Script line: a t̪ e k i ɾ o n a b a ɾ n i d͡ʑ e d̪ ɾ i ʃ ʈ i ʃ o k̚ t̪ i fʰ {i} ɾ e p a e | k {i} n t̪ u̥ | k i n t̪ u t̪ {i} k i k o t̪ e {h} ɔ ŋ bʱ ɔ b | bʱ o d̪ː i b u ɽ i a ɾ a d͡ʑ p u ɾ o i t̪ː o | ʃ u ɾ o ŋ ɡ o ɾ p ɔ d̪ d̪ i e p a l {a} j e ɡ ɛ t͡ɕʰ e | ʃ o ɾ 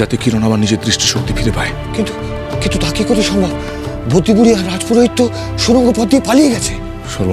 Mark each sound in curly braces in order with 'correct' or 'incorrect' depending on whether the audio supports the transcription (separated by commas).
correct, correct, incorrect, incorrect, incorrect